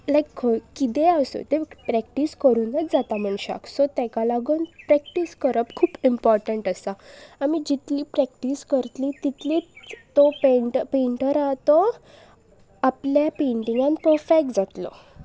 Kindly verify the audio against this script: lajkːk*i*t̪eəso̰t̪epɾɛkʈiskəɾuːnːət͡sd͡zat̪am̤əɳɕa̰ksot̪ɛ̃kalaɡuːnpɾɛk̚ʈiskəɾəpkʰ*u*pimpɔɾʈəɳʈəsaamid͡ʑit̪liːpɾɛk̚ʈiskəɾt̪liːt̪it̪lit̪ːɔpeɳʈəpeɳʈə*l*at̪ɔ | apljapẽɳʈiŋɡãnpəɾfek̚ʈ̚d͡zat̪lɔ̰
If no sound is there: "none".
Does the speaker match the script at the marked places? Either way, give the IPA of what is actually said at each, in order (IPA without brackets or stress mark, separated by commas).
i, uː, ɾ